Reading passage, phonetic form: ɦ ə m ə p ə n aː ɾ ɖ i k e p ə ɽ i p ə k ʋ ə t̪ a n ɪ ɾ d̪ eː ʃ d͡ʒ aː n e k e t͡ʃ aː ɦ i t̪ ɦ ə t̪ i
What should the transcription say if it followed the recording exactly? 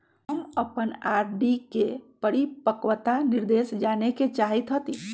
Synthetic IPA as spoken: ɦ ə m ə p ə n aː ɾ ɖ i k e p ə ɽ i p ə k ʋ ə t̪ a n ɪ ɾ d̪ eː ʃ d͡ʒ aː n e k e t͡ʃ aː ɦ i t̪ ɦ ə t̪ i